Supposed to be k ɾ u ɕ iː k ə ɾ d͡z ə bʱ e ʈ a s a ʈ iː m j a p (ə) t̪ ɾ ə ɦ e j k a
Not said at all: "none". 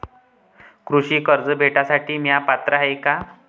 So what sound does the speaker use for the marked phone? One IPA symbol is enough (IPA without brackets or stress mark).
a